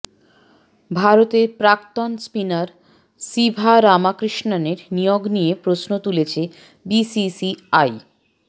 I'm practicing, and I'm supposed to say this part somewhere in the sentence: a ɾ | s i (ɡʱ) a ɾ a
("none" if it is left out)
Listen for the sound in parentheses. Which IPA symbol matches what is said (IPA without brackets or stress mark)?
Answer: bʱ